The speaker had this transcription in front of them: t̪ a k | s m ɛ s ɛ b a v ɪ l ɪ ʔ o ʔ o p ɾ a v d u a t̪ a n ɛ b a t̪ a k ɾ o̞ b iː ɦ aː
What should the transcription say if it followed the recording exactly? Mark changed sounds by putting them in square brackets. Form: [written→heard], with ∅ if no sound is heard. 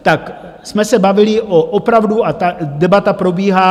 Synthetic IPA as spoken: t̪ a k | s m ɛ s ɛ b a v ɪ l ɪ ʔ o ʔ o p ɾ a v d u a t̪ a [n→d] ɛ b a t̪ a [k→p] ɾ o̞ b iː ɦ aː